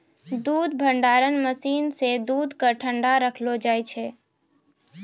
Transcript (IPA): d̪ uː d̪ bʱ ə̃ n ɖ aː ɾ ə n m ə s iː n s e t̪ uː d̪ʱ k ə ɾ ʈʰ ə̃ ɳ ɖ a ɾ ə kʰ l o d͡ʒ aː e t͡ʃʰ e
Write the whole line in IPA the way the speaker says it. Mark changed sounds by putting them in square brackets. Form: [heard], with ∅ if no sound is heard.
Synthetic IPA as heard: d̪ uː d̪ bʱ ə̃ [ɳ] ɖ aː ɾ ə n m ə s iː n s e [d̪] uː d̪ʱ k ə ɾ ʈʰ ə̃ ɳ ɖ a ɾ ə kʰ l o d͡ʒ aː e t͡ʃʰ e